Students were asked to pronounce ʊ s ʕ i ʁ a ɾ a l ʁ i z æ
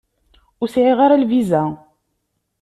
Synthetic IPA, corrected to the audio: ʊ s ʕ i ʁ a ɾ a l v i z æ